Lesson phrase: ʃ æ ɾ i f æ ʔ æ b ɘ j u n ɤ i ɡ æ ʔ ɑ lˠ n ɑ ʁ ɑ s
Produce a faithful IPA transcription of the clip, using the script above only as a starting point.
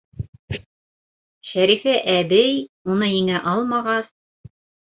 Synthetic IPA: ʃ æ ɾ i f æ ʔ æ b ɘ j u n ɤ i ŋ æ ʔ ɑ lˠ m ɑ ʁ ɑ s